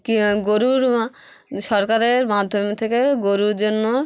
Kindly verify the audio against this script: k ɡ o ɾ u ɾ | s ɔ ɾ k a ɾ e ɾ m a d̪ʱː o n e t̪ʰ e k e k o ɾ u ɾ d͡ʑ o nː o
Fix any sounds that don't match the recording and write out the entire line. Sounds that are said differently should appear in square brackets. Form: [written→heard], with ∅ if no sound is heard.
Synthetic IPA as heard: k ɡ o ɾ u ɾ | [s→ʃ] ɔ ɾ k a ɾ e ɾ m a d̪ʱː o [n→m] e t̪ʰ e k e [k→ɡ] o ɾ u ɾ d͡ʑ o nː o

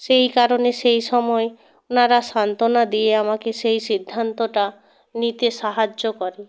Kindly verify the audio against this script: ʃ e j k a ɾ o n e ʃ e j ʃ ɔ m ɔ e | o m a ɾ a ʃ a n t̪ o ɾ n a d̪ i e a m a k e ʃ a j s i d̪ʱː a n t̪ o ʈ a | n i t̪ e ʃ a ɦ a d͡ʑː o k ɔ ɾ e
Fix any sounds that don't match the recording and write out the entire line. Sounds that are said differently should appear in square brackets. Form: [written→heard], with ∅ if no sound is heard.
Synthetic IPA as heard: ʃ e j k a ɾ o n e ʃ e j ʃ ɔ m ɔ e | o [m→n] a ɾ a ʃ a n t̪ o [ɾ→∅] n a d̪ i e a m a k e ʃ [a→e] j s i d̪ʱː a n t̪ o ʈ a | n i t̪ e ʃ a ɦ a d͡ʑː o k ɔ ɾ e

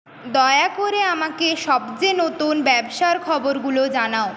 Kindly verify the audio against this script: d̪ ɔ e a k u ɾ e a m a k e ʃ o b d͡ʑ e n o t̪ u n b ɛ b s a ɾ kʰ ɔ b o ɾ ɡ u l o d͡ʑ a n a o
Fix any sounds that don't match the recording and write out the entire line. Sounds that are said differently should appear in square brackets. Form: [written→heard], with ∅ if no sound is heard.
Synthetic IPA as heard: d̪ ɔ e a k [u→o] ɾ e a m a k e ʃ [o→ɔ] b d͡ʑ e n o t̪ u n b ɛ b [s→ʃ] a ɾ kʰ ɔ b o ɾ ɡ u l o d͡ʑ a n a o

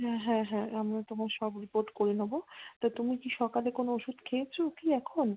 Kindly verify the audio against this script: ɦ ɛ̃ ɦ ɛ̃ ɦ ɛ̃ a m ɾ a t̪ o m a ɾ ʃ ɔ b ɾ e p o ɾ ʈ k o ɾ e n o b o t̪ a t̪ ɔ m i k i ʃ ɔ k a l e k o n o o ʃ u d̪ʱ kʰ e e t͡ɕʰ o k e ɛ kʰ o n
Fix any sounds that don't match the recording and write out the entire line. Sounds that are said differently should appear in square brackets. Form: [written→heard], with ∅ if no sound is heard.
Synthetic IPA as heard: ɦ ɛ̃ ɦ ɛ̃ ɦ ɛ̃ a m ɾ a t̪ o m a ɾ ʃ ɔ b ɾ [e→i] p o ɾ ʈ k o ɾ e n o b o t̪ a t̪ [ɔ→u] m i k i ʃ ɔ k a l e k o n o o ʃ u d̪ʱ kʰ e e t͡ɕʰ o k [e→i] ɛ kʰ o n

